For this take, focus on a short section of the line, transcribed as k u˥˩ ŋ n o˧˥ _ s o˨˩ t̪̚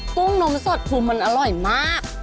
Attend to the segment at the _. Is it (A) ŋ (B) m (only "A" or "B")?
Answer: B